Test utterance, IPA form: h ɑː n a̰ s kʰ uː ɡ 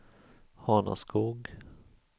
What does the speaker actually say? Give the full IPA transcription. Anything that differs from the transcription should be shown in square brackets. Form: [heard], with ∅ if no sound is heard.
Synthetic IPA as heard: h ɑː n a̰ s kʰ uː ɡ

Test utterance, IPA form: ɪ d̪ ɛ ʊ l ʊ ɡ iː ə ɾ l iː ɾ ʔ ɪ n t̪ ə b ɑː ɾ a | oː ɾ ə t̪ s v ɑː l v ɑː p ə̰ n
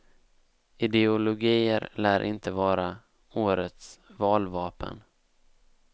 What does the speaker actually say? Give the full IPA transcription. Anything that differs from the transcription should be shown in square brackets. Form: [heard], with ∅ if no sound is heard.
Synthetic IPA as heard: ɪ d̪ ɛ ʊ l ʊ ɡ iː ə ɾ l [æː] ɾ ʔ ɪ n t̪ ə [v] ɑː ɾ a | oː ɾ ə t̪ s v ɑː l v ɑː p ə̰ n

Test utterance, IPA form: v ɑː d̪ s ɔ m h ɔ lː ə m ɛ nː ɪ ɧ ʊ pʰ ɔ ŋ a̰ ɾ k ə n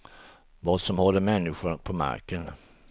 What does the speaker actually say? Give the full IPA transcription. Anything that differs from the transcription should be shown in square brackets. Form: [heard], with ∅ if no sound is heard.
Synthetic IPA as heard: v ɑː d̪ s ɔ m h ɔ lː ə m ɛ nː ɪ ɧ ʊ pʰ ɔ [m] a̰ ɾ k ə n

